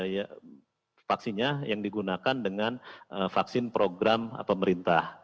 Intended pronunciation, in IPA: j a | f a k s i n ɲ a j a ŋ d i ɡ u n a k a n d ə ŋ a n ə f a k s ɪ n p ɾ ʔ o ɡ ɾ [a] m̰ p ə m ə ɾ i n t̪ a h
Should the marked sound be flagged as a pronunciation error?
no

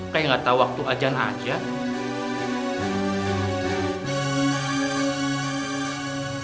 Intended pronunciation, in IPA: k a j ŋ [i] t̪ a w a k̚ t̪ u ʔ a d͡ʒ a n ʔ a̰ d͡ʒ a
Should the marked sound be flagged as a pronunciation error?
yes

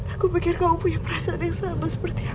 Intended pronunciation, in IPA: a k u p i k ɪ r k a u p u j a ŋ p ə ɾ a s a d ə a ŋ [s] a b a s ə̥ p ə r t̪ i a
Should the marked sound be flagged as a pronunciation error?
no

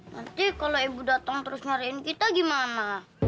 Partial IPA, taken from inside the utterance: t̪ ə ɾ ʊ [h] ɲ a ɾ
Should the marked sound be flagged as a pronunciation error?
yes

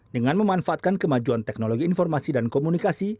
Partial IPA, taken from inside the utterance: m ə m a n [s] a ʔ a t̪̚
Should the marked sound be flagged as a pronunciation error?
yes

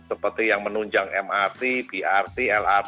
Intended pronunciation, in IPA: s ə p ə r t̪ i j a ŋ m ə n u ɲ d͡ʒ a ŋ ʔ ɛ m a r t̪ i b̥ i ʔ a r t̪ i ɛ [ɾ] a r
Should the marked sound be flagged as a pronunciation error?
yes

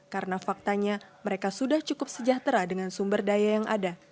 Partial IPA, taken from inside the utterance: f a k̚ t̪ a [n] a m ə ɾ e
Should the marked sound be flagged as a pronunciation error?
yes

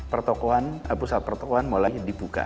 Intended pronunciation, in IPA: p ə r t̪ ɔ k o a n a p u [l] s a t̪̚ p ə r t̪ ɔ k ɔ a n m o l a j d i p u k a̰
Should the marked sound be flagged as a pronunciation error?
yes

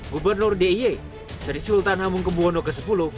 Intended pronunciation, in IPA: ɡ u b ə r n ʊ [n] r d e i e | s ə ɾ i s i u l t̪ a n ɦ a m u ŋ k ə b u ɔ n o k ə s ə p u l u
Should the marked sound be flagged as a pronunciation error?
yes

